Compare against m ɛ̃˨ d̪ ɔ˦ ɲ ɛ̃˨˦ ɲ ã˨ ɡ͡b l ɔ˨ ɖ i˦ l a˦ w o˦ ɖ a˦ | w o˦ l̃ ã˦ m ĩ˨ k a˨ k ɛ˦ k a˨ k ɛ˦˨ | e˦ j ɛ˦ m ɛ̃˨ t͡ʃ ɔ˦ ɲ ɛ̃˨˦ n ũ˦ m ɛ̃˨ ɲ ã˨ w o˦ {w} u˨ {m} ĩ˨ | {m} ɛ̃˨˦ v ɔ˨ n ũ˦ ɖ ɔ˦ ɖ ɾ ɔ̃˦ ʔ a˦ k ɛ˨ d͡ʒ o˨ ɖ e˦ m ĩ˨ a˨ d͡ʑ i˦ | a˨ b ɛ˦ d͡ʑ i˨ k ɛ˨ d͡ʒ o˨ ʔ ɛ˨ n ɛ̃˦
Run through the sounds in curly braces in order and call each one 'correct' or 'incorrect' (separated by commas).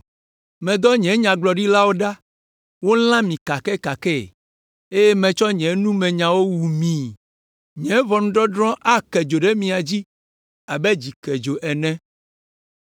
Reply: correct, correct, incorrect